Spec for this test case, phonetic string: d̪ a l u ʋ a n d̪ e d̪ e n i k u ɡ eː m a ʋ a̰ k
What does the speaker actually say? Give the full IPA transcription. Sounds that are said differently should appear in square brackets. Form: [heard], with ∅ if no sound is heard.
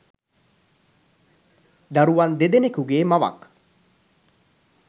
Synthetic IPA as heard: d̪ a [ɾ] u ʋ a n d̪ e d̪ e n [e] k u ɡ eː m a ʋ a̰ k